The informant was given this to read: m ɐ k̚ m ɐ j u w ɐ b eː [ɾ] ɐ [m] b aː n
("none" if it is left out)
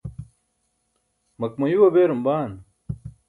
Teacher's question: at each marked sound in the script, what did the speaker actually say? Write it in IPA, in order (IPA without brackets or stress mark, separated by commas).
ɾ, m